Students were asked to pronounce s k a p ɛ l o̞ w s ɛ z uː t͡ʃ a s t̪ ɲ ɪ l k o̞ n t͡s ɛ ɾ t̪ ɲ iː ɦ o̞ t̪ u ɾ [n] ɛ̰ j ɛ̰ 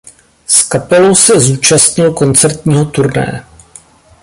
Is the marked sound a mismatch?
no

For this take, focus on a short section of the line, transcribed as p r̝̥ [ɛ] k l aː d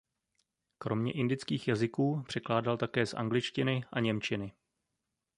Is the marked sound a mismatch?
no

